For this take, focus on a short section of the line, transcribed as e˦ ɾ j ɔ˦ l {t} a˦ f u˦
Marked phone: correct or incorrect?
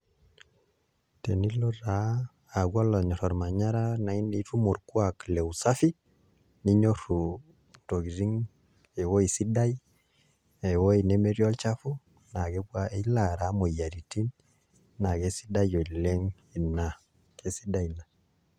incorrect: t͡ʃ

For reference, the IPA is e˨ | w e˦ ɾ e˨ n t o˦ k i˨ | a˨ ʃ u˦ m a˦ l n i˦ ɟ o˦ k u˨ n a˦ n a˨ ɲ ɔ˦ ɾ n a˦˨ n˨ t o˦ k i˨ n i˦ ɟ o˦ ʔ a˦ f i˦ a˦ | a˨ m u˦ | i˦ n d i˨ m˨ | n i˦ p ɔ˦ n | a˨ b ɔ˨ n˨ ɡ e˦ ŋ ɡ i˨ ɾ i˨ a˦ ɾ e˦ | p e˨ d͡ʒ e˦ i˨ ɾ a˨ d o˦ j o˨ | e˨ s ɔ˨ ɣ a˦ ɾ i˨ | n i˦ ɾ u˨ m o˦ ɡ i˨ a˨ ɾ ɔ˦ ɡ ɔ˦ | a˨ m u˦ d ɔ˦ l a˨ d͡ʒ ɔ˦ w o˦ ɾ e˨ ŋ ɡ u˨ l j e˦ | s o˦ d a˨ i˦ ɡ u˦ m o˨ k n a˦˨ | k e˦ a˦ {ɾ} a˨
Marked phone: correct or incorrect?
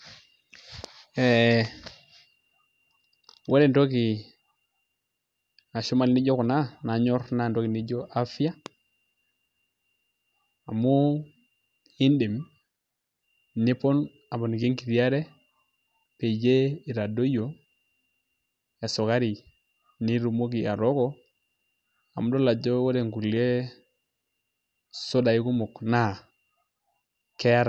correct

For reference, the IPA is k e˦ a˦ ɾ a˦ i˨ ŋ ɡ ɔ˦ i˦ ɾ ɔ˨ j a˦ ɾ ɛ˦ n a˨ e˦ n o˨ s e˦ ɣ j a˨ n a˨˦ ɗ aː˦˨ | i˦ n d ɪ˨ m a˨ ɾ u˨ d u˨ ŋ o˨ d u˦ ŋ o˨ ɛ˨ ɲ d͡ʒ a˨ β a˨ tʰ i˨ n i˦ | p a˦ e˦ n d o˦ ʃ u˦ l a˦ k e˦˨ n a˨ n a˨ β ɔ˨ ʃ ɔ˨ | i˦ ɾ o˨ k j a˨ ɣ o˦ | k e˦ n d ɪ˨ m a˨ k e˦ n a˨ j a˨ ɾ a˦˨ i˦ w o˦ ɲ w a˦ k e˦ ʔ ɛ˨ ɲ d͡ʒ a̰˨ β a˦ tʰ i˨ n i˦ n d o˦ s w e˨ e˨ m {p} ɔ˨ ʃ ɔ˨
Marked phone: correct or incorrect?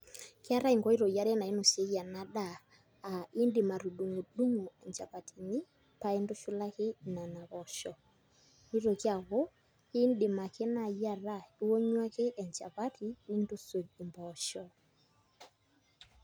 incorrect: b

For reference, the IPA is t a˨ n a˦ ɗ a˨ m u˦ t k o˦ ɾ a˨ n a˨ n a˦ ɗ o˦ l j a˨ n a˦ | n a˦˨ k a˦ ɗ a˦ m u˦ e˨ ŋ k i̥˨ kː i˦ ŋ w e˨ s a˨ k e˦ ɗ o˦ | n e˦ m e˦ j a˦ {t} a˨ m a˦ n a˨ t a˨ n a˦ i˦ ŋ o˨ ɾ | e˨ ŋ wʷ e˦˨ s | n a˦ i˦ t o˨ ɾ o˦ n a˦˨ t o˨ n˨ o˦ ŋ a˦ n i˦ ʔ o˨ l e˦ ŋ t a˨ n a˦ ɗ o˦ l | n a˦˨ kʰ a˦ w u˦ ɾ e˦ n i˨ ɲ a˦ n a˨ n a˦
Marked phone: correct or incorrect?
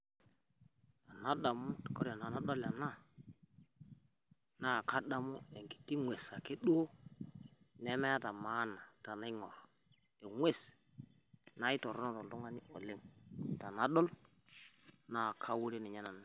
correct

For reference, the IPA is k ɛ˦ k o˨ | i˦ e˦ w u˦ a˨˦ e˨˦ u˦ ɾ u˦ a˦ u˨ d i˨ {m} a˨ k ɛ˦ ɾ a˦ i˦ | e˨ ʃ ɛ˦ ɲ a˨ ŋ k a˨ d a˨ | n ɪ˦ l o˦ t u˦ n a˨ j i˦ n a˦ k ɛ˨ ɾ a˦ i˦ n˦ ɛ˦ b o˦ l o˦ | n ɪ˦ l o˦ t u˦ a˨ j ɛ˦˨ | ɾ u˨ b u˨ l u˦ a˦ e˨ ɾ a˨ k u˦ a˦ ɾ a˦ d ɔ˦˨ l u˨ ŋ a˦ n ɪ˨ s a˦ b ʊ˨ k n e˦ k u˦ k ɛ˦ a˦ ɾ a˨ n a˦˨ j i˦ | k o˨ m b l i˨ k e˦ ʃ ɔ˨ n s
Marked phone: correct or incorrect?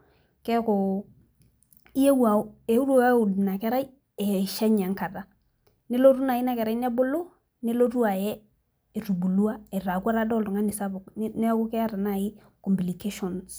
incorrect: n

